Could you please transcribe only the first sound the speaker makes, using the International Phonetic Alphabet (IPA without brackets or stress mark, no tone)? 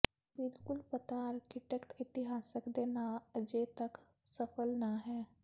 b